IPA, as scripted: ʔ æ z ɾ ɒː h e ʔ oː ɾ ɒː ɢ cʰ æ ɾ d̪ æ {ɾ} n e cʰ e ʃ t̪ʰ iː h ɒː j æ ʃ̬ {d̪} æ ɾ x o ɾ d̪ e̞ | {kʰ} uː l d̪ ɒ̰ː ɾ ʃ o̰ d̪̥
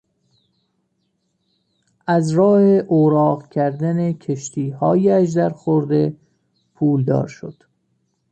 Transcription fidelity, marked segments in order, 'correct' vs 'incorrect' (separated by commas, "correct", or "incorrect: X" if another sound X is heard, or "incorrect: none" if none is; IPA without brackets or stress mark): incorrect: none, correct, incorrect: pʰ